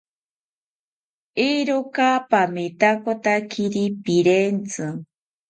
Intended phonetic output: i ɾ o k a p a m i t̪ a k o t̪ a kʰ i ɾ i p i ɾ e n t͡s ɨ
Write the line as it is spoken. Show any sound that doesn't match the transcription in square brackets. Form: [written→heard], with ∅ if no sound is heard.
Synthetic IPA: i ɾ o k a p a m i t̪ a k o t̪ a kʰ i ɾ i p i ɾ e n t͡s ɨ

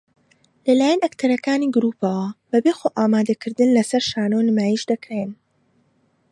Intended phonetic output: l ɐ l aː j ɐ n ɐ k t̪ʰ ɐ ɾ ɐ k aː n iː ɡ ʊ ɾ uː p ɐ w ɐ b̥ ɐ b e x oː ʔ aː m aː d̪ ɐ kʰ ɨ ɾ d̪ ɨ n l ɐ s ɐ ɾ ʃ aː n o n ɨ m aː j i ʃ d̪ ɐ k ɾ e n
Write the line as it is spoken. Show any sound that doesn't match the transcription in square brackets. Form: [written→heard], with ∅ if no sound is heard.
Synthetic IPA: l ɐ l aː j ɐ n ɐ k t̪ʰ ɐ ɾ ɐ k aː n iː ɡ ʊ ɾ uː p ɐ w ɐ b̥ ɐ b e x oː ʔ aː m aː d̪ ɐ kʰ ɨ ɾ d̪ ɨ n l ɐ s ɐ ɾ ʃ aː n o n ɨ m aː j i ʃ d̪ ɐ k ɾ e n

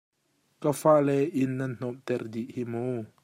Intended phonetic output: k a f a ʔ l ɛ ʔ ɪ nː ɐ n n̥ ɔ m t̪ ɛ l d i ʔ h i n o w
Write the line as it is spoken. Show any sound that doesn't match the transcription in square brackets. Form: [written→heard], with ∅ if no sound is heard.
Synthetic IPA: k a f a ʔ l ɛ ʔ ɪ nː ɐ n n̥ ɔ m t̪ ɛ [l→r] d i ʔ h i [n→m] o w

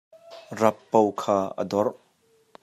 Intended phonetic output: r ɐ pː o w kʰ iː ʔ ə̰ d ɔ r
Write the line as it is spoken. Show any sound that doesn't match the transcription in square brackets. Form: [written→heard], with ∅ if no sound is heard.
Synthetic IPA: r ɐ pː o w kʰ [iː→aː] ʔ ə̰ d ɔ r

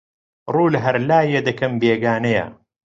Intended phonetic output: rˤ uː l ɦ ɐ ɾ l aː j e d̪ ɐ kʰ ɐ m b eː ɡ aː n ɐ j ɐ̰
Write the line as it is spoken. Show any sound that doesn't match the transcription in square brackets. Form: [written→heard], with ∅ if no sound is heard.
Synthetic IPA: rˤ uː l ɦ ɐ ɾ l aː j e d̪ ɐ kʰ ɐ m b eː ɡ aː n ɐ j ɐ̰

